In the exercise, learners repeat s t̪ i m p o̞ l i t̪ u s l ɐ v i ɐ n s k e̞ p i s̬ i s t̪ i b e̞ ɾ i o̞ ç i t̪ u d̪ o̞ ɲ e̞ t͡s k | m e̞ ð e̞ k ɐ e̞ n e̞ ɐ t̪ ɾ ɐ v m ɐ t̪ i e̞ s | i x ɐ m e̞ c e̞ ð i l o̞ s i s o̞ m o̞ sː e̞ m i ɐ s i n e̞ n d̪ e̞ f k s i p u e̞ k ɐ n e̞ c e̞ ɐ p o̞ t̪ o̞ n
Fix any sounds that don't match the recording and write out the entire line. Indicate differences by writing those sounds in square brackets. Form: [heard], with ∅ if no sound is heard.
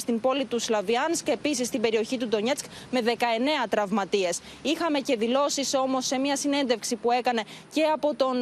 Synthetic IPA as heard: s t̪ i m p o̞ l i t̪ u s l ɐ v i ɐ n s k e̞ p i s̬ i s t̪ i b e̞ ɾ i o̞ ç i t̪ u d̪ o̞ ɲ e̞ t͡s k | m e̞ ð e̞ k ɐ e̞ n e̞ ɐ t̪ ɾ ɐ v m ɐ t̪ i e̞ s | i x ɐ m e̞ c e̞ ð i l o̞ s i s o̞ m o̞ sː e̞ m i ɐ s i n e̞ n d̪ e̞ f k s i p u e̞ k ɐ n e̞ c e̞ ɐ p o̞ t̪ o̞ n